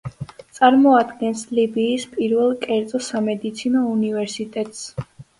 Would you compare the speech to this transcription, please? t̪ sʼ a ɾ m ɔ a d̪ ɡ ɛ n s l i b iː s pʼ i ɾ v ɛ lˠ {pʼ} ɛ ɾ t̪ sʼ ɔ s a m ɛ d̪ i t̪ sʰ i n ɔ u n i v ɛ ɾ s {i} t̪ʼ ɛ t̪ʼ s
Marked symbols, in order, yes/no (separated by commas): no, yes